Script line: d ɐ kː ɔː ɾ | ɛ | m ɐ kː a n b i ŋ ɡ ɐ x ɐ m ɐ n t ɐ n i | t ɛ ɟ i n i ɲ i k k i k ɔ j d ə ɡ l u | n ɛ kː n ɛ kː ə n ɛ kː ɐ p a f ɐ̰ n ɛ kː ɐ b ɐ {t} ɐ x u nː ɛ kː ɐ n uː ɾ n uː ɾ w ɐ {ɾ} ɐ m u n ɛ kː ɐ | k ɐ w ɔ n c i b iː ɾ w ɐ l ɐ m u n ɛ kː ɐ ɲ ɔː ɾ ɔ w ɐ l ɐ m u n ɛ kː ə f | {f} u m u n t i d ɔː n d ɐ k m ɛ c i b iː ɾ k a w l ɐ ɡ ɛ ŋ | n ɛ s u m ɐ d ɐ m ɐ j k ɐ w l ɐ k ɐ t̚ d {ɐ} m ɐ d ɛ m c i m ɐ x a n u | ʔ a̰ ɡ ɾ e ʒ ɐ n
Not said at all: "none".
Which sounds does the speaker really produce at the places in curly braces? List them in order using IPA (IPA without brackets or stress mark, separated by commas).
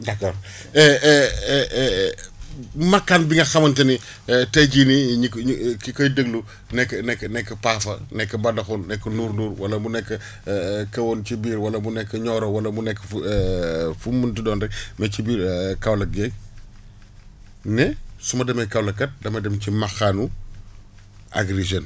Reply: d, l, f, ɐ